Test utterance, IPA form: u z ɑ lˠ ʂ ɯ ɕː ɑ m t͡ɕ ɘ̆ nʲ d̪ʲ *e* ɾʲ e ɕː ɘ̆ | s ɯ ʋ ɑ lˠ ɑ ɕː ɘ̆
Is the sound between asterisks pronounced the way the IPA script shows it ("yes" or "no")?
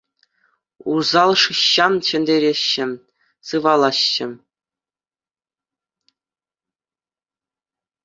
yes